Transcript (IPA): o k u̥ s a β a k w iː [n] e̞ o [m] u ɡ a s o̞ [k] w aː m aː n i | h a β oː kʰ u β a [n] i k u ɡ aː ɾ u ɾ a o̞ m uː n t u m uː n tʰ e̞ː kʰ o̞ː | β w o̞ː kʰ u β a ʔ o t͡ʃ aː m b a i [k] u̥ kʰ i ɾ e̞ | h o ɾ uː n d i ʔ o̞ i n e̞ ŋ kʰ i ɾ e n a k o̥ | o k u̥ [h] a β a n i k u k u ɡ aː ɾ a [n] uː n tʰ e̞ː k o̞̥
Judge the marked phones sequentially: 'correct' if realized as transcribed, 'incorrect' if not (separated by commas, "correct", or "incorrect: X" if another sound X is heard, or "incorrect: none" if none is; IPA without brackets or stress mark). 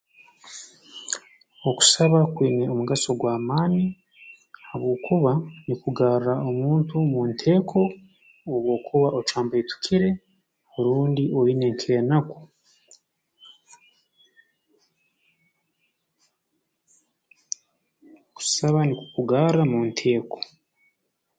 correct, correct, incorrect: ɡ, correct, incorrect: t, incorrect: s, incorrect: m